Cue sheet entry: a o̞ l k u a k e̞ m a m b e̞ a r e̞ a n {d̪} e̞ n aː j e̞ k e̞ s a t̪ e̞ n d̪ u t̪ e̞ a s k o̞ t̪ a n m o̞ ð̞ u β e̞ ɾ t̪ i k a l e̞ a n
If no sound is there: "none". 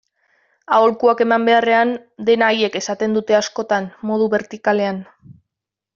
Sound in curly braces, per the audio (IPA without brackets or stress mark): d̪